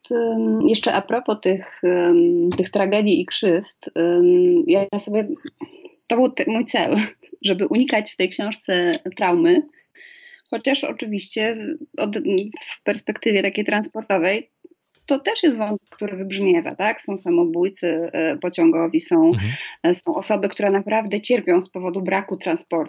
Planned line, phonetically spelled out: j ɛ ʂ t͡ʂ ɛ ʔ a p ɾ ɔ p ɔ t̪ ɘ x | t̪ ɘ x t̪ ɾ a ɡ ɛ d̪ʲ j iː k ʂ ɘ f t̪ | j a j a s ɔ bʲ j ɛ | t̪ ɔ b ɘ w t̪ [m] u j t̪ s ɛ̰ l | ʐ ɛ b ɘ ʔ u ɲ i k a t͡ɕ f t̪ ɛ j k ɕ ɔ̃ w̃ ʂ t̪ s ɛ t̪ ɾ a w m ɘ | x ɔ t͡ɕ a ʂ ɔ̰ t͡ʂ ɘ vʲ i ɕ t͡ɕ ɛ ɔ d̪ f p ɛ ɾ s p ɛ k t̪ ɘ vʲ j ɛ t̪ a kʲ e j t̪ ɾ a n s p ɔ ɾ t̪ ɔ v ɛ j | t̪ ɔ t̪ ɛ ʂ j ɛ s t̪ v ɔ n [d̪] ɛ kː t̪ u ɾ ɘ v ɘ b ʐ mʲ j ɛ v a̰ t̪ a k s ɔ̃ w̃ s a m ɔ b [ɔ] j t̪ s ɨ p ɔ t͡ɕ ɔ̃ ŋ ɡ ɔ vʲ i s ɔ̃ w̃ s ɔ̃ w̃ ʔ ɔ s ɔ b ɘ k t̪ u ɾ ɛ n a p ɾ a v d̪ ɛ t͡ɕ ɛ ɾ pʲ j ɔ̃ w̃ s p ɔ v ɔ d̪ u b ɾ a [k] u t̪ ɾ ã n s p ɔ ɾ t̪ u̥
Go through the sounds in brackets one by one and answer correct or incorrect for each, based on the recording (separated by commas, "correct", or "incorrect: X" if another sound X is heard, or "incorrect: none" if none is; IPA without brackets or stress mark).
correct, incorrect: t̪, incorrect: u, correct